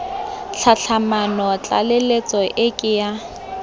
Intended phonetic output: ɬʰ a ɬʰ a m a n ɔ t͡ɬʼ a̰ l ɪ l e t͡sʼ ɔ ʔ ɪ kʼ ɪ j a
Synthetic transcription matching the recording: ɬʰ a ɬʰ a m a n ɔ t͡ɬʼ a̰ l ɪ l e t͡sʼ ɔ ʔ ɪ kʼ ɪ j a

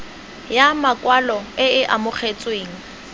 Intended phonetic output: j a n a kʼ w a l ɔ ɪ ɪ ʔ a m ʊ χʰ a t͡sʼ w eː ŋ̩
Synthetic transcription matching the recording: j a m a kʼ w a l ɔ ɪ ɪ ʔ a m ʊ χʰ e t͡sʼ w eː ŋ̩

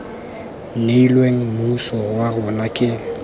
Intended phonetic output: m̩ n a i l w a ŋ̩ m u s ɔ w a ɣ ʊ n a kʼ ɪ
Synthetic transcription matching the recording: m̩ n e i l w e ŋ̩ m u s ɔ w a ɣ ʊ n a kʼ ɪ

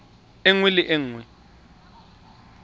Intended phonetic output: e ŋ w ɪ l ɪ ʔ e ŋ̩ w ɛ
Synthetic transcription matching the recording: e ŋ w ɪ l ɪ ʔ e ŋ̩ w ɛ

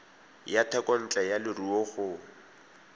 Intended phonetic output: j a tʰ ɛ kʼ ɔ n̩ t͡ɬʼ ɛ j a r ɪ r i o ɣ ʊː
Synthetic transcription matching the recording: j a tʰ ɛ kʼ ɔ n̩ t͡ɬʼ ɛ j a l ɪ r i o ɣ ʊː

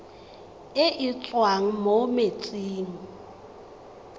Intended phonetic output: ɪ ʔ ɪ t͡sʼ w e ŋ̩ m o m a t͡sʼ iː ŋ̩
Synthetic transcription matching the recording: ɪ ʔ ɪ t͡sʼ w a ŋ̩ m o m e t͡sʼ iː ŋ̩

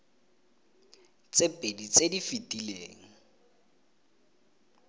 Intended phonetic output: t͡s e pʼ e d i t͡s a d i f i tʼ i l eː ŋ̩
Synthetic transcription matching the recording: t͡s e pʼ e d i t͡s e d i f i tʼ i l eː ŋ̩

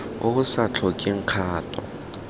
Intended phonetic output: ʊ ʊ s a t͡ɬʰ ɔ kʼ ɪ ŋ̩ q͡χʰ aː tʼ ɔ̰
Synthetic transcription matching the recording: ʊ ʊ s a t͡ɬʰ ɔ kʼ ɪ ŋ̩ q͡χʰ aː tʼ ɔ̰

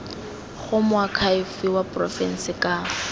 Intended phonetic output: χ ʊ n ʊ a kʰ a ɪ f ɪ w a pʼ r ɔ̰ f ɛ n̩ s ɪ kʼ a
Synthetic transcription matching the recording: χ ʊ m ʊ a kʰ a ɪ f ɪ w a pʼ r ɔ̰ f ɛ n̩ s ɪ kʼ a

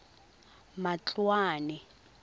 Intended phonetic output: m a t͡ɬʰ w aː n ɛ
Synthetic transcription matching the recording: m a t͡ɬ w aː n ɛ

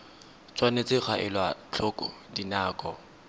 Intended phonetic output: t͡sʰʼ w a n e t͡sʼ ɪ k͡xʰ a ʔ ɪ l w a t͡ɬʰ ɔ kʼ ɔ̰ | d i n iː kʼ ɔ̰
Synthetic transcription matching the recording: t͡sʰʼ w a n e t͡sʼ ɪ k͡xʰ a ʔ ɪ l w a t͡ɬʰ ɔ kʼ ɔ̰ | d i n aː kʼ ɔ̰

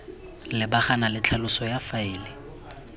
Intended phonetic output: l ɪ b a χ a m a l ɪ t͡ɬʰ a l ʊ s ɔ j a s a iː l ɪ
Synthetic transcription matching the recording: l ɪ b a χ a n a l ɪ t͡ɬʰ a l ʊ s ɔ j a f a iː l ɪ

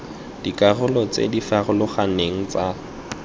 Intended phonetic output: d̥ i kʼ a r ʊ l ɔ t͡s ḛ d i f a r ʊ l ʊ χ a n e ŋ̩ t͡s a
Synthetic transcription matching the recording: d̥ i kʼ a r ʊ l ɔ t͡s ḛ d i f a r ʊ l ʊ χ a n e ŋ̩ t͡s a

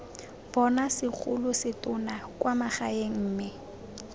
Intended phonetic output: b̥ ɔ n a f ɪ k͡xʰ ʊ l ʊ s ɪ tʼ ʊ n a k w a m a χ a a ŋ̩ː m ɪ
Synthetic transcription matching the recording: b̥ ɔ n a s ɪ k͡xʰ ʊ l ʊ s ɪ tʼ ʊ n a k w a m a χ a e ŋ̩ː m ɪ

